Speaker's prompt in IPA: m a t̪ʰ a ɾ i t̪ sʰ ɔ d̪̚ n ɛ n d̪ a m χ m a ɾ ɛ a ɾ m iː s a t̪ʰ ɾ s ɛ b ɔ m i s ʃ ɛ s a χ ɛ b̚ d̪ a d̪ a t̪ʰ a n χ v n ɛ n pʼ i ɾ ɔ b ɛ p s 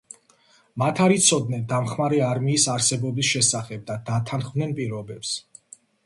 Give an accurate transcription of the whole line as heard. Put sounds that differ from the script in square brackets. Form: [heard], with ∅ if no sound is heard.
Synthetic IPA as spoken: m a t̪ʰ a ɾ i t̪ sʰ ɔ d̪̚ n ɛ n d̪ a m χ m a ɾ ɛ a ɾ m iː s a [∅] ɾ s ɛ b ɔ [b] i s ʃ ɛ s a χ ɛ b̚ d̪ a d̪ a t̪ʰ a n χ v n ɛ n pʼ i ɾ ɔ b ɛ p s